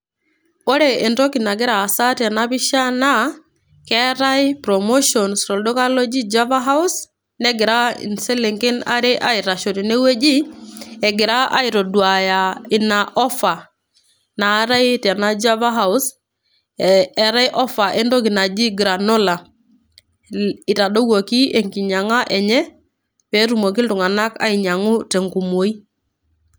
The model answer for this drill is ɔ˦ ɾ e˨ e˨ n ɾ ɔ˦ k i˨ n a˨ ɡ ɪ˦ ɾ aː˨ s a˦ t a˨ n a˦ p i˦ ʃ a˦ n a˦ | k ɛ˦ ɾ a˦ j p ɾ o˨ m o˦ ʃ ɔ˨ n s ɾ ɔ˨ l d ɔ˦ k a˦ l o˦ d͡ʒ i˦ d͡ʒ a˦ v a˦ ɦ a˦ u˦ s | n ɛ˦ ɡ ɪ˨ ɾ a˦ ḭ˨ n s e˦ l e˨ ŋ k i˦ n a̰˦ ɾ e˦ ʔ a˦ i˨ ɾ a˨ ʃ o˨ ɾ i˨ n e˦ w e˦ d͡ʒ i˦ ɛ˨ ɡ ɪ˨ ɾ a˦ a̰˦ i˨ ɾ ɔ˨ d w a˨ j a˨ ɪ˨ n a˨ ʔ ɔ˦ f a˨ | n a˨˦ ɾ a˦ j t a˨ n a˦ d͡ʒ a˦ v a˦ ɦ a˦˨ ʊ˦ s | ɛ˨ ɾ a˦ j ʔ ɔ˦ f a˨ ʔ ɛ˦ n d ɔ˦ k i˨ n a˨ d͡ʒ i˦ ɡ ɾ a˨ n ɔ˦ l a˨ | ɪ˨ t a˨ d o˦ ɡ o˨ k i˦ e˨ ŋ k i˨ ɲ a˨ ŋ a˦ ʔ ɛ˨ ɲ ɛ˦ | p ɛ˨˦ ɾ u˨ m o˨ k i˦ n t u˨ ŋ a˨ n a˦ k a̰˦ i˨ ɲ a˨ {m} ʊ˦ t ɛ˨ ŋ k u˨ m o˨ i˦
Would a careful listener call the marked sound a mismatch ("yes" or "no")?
yes